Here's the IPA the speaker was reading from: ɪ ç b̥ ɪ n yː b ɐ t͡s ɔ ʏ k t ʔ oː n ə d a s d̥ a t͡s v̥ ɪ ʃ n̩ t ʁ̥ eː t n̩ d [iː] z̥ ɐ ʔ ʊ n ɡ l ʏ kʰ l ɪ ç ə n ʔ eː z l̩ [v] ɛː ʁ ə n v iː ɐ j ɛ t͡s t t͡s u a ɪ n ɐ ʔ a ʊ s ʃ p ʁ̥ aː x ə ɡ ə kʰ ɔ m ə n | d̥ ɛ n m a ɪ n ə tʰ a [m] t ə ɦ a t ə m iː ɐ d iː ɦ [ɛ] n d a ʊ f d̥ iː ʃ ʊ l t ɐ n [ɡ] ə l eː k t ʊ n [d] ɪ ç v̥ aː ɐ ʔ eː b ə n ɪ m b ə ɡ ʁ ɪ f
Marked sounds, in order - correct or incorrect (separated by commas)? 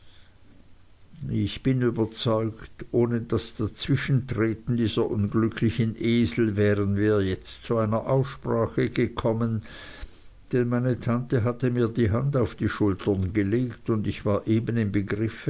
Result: correct, correct, incorrect, incorrect, correct, correct